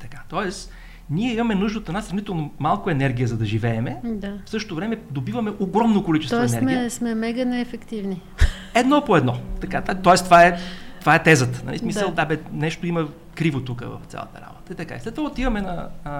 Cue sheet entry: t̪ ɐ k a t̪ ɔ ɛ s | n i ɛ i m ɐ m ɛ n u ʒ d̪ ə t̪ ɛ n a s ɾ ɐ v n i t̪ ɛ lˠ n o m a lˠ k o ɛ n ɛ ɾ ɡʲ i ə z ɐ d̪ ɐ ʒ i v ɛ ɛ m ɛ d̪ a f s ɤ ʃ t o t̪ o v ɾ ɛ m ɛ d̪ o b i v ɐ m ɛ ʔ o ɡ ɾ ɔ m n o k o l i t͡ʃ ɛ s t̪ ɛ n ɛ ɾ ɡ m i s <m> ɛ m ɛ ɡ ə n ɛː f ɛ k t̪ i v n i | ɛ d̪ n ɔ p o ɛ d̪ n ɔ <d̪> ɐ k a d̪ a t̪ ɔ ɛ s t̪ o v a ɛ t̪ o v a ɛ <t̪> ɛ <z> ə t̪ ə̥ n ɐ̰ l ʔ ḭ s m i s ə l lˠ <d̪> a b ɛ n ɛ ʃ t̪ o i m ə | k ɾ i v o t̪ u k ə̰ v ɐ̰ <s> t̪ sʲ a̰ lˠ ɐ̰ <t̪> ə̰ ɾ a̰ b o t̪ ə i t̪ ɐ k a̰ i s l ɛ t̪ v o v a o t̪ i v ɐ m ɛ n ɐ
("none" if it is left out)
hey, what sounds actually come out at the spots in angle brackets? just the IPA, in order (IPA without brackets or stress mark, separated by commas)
m, t̪, t̪, z, d̪, f, t̪